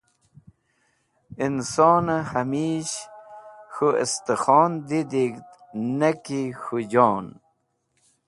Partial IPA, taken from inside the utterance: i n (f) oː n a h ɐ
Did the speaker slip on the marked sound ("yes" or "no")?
yes